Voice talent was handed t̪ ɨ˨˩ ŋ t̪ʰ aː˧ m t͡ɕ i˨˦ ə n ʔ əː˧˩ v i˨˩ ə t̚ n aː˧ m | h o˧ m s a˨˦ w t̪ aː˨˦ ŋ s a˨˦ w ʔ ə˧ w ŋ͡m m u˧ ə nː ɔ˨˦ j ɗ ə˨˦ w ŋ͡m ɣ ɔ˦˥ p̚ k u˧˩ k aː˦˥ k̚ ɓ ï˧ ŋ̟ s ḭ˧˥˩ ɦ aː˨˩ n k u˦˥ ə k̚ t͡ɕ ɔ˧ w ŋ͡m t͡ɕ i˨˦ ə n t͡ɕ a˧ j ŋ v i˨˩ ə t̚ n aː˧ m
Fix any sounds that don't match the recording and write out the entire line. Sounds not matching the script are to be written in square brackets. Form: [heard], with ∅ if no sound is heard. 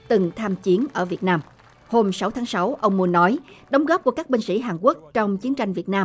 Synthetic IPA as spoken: t̪ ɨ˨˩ ŋ t̪ʰ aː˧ m t͡ɕ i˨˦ ə n ʔ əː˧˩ v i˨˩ ə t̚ n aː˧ m | h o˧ m s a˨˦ w [t̪ʰ] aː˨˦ ŋ s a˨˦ w ʔ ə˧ w ŋ͡m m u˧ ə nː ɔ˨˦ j ɗ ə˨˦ w ŋ͡m ɣ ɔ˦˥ p̚ k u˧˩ k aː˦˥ k̚ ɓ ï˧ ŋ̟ s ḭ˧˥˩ ɦ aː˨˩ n k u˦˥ ə k̚ t͡ɕ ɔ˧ w ŋ͡m t͡ɕ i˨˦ ə n t͡ɕ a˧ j ŋ v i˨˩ ə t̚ n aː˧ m